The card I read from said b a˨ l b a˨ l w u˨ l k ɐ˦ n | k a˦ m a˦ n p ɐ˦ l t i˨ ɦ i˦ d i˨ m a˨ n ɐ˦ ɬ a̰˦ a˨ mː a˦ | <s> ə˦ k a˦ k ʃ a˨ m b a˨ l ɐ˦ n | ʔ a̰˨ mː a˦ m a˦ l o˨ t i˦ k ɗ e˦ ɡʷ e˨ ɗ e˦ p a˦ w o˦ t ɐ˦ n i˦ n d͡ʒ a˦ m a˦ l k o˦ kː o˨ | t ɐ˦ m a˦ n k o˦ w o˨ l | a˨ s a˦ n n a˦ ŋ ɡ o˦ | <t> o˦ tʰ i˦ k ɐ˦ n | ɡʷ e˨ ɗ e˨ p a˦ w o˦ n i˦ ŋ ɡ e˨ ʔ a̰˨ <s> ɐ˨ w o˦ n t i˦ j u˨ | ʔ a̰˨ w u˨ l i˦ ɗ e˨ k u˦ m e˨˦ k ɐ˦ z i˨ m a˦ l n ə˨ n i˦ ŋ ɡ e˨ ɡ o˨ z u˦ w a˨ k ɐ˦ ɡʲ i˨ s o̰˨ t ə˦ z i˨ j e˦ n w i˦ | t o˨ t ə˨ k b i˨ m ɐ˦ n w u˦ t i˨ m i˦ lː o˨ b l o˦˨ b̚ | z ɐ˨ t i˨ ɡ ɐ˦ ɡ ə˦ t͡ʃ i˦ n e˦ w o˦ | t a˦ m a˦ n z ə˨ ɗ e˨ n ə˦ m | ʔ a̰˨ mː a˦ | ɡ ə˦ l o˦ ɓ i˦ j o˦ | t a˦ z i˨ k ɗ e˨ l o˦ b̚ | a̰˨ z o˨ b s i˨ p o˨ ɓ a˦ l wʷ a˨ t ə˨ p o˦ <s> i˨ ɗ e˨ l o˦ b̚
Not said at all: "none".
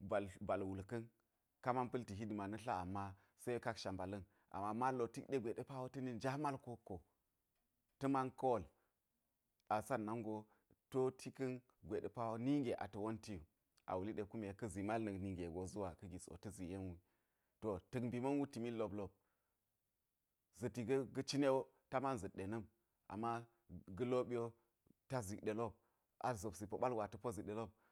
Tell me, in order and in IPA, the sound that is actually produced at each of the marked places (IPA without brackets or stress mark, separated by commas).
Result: s, t, t, z